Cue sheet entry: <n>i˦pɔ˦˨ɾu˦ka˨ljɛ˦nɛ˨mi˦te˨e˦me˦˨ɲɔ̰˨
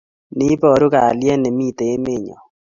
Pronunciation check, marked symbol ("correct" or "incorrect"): correct